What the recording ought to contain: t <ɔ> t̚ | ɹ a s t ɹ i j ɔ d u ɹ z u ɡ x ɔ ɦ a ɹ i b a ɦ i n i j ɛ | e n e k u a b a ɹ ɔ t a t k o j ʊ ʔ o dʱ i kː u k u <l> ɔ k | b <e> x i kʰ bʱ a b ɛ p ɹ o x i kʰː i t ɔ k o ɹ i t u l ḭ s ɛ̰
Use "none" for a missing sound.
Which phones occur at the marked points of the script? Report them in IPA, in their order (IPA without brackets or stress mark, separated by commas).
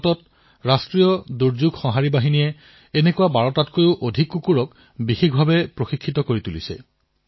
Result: ɔ, ɹ, i